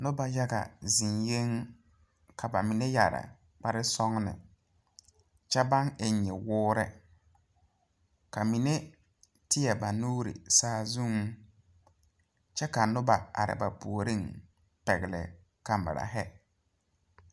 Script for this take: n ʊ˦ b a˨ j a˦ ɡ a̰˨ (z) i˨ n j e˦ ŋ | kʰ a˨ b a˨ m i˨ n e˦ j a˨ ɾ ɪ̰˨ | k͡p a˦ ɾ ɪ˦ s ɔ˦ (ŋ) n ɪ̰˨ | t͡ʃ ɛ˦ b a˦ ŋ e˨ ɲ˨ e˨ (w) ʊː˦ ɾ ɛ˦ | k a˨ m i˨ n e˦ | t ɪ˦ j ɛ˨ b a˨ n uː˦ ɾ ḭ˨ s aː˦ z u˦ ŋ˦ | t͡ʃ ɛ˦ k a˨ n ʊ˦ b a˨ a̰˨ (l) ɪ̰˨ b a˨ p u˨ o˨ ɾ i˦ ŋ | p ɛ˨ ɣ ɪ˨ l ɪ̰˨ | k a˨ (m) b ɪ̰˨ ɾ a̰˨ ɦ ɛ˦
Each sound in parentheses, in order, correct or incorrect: correct, correct, correct, incorrect, correct

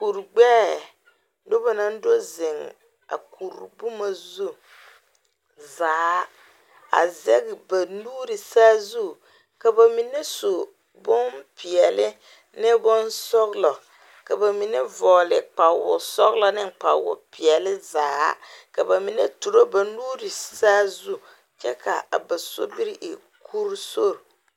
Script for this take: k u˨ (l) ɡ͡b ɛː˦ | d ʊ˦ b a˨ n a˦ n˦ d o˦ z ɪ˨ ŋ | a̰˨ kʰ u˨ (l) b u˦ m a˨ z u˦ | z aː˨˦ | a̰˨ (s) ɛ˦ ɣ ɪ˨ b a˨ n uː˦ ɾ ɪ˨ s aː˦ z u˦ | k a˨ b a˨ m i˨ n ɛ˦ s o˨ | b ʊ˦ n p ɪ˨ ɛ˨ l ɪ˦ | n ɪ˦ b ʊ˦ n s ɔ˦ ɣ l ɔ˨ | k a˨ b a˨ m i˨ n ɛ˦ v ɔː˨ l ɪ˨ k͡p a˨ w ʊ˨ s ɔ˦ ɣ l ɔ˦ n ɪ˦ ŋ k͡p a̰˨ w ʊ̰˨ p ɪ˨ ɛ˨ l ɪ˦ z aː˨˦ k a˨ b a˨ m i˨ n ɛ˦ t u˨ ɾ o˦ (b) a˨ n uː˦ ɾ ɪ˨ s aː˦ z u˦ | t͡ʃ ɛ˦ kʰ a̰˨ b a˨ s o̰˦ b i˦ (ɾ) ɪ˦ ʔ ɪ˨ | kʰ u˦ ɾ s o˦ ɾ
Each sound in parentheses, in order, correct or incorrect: incorrect, incorrect, incorrect, correct, correct

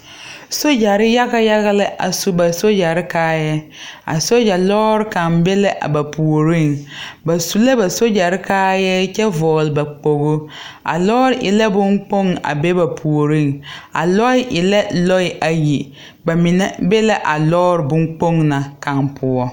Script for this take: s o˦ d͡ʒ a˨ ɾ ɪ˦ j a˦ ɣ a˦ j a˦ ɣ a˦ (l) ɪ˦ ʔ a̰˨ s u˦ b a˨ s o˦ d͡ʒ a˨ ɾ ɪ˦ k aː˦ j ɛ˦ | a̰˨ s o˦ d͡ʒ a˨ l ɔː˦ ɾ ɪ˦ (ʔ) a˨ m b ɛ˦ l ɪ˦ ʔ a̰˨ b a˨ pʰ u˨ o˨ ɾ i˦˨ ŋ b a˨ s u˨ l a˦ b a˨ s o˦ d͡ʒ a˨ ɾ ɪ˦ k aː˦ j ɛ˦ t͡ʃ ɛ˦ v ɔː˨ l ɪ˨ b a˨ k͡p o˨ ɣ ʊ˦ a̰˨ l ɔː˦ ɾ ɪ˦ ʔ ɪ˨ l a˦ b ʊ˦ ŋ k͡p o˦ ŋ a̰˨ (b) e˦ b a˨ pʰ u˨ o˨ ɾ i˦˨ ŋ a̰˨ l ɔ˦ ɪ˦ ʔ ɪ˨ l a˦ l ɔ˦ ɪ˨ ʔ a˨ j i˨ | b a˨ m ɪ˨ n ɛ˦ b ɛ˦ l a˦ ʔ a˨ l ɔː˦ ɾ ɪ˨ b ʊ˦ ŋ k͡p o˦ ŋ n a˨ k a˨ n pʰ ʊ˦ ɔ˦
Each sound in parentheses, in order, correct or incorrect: correct, incorrect, correct

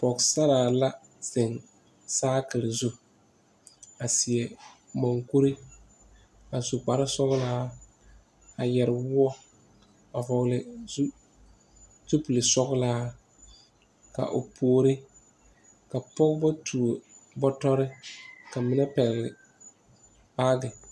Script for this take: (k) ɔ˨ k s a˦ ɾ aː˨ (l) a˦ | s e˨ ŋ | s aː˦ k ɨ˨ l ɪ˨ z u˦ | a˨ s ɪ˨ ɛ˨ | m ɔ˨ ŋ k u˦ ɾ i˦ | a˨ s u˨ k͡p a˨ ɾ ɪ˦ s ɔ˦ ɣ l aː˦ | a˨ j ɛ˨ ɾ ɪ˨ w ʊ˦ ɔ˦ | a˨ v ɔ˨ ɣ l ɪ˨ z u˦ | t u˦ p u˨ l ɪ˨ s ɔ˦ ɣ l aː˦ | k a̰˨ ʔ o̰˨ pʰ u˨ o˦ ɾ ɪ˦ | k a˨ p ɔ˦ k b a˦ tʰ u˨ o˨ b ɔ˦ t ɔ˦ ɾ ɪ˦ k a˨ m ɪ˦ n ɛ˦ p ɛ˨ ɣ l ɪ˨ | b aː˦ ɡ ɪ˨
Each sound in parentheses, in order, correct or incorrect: incorrect, correct

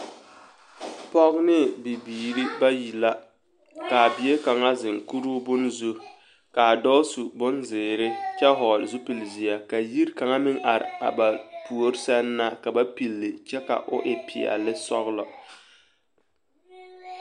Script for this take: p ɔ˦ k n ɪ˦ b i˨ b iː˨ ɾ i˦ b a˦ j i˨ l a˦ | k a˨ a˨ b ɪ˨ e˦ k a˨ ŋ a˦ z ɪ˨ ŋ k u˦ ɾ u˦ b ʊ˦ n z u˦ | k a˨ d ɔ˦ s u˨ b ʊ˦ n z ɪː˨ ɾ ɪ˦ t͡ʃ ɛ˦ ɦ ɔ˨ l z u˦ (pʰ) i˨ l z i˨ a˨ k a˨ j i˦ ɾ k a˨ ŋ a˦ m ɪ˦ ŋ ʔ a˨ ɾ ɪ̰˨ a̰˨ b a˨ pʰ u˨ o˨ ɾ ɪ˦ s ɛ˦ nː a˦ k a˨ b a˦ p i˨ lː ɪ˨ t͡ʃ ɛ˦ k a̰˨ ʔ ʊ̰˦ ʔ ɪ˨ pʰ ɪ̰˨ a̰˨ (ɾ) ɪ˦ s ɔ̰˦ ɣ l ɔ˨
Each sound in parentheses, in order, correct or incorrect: incorrect, incorrect

